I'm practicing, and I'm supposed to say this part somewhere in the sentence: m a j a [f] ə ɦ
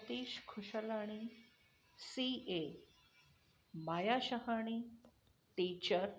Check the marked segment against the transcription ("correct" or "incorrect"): incorrect